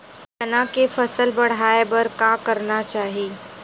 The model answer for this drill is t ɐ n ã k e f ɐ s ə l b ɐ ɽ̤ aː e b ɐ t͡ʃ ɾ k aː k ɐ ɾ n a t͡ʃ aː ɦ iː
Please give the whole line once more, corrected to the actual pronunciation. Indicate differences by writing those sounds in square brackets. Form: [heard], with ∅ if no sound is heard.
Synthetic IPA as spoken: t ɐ n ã k e f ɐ s ə l b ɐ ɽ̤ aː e b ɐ [∅] ɾ k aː k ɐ ɾ n a t͡ʃ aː ɦ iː

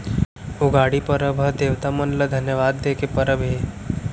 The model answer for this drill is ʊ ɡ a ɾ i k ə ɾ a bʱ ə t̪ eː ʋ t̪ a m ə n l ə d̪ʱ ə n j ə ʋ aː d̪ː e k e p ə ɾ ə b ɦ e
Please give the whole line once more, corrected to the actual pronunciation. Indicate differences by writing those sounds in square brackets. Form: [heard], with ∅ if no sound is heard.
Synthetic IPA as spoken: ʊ ɡ a [ɽ] i [p] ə ɾ [ə] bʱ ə [d̪] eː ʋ t̪ a m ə n l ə d̪ʱ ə n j ə ʋ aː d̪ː e k e p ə ɾ ə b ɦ e

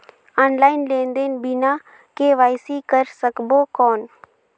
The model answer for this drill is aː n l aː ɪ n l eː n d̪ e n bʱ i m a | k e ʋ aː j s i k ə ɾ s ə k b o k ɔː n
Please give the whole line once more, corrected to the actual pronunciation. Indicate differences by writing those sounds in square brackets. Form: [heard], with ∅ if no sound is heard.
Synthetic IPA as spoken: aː n l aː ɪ n l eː n d̪ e n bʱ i [n] a | k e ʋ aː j s i k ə ɾ s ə k b o k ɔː n

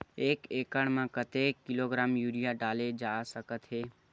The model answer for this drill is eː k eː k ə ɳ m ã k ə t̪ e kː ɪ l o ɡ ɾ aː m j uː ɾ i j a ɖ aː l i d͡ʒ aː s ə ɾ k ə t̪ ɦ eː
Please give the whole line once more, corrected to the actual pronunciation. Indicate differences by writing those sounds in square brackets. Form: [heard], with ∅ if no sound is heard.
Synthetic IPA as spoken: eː k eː k ə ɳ m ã k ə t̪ e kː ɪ l o ɡ ɾ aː m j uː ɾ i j a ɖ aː l [e] d͡ʒ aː s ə [∅] k ə t̪ ɦ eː

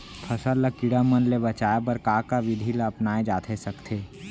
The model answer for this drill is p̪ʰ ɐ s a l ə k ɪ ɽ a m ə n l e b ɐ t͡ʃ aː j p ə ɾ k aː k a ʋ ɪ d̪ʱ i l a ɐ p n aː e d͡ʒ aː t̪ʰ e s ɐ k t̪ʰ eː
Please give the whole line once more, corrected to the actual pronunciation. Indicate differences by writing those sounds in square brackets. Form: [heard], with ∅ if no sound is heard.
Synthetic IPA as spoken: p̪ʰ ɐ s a l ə k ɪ ɽ a m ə n l e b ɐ t͡ʃ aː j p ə ɾ k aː k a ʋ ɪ d̪ʱ i l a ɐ p n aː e d͡ʒ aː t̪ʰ e s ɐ k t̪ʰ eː

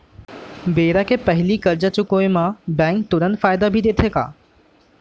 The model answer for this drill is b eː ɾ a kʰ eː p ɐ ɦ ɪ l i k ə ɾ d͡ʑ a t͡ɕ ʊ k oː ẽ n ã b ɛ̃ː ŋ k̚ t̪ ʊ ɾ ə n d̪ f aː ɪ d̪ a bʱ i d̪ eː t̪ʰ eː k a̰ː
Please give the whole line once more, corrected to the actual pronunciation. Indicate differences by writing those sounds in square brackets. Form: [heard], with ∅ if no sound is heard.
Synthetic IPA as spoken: b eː ɾ a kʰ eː p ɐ ɦ ɪ l i k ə ɾ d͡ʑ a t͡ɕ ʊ k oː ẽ [m] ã b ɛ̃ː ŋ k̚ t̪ ʊ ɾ ə n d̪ f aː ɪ d̪ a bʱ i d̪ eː t̪ʰ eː k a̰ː

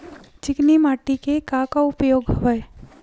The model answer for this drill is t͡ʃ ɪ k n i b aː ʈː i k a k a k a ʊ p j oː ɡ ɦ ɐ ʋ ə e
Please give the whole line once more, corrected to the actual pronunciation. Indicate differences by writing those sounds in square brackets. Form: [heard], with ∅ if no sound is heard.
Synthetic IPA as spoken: t͡ʃ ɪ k n i [m] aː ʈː i k [e] k a k a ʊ p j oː ɡ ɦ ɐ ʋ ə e

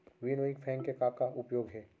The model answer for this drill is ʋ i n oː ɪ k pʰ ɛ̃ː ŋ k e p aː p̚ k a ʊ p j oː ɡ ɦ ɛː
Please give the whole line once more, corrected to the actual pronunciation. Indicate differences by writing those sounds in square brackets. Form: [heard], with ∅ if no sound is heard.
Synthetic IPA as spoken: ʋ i n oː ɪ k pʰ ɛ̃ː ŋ k e [k] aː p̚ k a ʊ p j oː ɡ ɦ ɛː

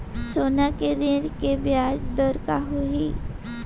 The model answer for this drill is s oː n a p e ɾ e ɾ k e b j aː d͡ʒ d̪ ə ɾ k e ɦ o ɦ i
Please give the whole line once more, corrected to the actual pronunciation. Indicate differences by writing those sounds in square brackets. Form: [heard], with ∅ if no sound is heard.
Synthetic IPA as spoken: s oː n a [k] e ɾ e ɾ k e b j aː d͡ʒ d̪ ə ɾ k [a] ɦ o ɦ i

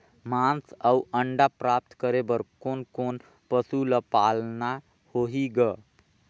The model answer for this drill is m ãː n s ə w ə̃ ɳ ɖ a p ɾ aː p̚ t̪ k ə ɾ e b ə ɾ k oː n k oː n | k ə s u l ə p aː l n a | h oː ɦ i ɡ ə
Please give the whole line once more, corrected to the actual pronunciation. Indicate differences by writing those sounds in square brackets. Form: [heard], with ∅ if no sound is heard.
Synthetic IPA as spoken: m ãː n s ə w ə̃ ɳ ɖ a p ɾ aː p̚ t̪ k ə ɾ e b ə ɾ k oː n k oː n | [p] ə s u l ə p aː l n a | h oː ɦ i ɡ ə

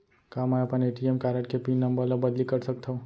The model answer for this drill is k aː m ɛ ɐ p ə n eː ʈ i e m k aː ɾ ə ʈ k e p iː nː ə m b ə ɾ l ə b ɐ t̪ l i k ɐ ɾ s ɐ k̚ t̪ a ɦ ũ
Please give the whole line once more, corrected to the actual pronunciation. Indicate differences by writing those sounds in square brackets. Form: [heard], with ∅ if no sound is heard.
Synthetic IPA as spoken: k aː m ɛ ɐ p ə n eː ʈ i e m k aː ɾ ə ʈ k e p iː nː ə m b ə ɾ l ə b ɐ [d̪] l i k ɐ ɾ s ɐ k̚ t̪ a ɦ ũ

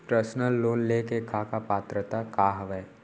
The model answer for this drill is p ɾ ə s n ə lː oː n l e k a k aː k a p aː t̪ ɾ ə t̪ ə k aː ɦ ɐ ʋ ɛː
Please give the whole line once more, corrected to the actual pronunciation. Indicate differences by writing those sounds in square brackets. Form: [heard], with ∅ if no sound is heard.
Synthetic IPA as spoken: p ɾ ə s n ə lː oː n l e k [e] k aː k a p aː t̪ ɾ ə t̪ [a] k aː ɦ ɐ ʋ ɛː

